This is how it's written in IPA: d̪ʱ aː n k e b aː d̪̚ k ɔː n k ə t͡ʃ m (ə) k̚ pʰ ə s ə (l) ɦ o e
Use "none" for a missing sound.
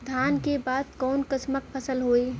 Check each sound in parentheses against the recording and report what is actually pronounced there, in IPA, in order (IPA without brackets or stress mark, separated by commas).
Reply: ə, l